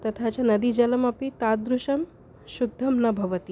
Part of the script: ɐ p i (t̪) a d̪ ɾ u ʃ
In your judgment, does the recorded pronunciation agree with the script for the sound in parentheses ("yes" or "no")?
yes